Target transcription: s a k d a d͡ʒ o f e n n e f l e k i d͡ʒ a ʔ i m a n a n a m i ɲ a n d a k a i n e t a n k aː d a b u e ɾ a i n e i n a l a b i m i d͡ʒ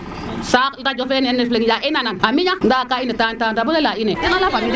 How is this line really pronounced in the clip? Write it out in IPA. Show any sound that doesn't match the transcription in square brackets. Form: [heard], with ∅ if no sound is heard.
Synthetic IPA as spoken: s a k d a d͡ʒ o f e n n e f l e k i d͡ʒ a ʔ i [n] a n a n a m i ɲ a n d a k a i n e t a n [t] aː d a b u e [l] a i n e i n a l a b [a] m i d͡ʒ